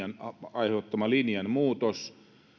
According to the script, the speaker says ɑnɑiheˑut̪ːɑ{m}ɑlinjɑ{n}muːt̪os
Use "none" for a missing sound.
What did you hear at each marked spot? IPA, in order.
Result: m, n

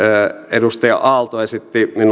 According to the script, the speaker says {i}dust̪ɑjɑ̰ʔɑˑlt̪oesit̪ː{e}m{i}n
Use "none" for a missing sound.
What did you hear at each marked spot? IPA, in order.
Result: e, i, i

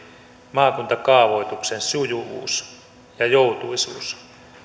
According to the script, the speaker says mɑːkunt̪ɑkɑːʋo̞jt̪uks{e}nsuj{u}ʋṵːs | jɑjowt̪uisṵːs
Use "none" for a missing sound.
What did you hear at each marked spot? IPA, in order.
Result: e, u

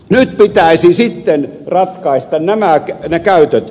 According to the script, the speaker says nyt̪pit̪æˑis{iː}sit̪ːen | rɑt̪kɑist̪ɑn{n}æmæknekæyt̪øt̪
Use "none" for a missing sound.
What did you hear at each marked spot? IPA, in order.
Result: i, n

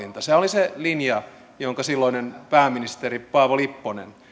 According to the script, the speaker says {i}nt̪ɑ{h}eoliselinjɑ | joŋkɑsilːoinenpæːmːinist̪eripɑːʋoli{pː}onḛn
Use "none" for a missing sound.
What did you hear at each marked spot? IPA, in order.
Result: i, s, pː

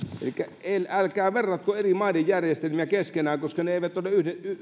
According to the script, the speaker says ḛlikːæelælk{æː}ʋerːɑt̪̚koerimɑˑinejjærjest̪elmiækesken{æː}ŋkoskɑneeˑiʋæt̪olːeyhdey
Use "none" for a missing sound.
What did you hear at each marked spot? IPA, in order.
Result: æː, æː

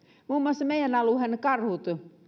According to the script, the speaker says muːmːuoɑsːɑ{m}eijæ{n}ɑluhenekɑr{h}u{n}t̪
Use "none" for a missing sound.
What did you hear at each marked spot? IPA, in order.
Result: m, n, h, none

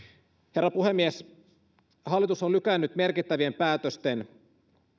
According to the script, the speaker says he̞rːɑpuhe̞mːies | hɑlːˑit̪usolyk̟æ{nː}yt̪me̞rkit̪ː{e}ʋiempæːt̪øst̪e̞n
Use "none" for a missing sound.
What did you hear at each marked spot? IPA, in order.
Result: nː, æ

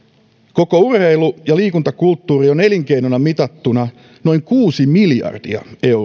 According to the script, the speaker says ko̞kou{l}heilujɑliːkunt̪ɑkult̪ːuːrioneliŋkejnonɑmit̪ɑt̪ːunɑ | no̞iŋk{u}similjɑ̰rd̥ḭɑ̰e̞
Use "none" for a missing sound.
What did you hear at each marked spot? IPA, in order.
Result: r, uː

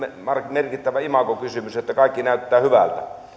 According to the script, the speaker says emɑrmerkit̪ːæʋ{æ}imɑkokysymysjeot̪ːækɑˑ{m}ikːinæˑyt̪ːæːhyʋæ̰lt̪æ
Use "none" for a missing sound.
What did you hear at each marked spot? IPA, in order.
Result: æ, none

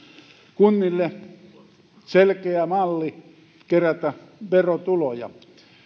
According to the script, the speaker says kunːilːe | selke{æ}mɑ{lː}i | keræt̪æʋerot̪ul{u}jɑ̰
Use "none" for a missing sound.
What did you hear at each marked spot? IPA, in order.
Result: æ, lː, o

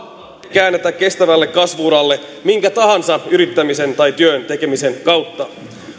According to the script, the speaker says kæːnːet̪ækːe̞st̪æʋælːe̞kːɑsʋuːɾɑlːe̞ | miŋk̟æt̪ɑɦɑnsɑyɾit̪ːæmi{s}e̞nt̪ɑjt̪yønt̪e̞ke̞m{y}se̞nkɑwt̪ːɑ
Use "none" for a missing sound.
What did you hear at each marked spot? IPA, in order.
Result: s, i

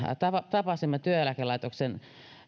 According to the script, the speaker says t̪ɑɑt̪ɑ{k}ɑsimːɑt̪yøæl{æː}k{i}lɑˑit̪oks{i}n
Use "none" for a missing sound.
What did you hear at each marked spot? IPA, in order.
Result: p, æ, e, e

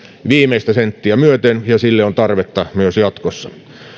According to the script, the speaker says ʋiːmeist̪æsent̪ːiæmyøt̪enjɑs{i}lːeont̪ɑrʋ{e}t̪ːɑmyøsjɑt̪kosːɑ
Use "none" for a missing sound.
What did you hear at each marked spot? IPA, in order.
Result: i, e

